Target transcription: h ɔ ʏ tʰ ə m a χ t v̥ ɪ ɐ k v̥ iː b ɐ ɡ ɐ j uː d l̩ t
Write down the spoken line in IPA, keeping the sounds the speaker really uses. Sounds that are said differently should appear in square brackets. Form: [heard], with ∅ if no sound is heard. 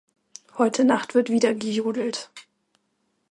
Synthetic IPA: h ɔ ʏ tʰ ə [n] a χ t v̥ ɪ ɐ [t] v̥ iː [d] ɐ ɡ [ə] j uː d l̩ t